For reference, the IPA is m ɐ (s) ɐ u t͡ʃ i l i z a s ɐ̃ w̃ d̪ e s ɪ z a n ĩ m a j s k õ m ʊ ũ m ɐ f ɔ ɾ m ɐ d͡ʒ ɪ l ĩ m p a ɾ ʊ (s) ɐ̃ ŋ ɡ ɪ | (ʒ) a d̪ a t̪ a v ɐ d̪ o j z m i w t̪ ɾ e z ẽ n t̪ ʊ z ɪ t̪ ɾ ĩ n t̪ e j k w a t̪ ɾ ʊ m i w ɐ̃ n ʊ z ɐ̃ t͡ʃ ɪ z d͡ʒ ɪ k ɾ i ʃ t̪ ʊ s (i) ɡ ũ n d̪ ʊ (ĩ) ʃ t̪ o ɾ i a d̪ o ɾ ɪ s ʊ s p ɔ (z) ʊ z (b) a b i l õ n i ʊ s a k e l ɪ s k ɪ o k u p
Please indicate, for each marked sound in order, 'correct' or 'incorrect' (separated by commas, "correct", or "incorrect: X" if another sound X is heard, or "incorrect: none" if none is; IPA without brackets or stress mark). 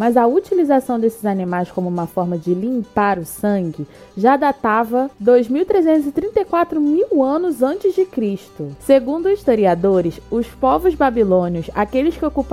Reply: incorrect: z, correct, correct, incorrect: e, incorrect: i, incorrect: v, correct